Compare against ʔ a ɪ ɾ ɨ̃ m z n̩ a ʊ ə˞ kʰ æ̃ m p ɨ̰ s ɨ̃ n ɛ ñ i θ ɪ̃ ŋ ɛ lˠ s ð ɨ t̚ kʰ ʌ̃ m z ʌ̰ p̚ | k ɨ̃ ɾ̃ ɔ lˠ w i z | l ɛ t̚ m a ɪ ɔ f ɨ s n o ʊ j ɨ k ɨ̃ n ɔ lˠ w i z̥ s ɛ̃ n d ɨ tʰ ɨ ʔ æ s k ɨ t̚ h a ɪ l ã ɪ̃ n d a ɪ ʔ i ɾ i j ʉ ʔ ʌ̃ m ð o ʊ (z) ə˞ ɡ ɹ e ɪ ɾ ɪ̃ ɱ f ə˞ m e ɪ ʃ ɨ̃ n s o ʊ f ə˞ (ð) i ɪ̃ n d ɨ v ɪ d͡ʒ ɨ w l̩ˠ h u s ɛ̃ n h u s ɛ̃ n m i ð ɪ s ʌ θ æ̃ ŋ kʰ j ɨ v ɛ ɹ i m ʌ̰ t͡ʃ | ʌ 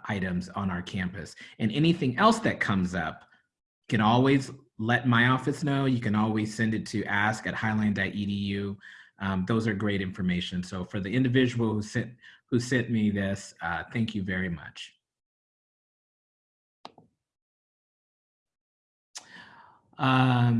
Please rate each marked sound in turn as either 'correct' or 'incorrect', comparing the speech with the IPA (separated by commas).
correct, correct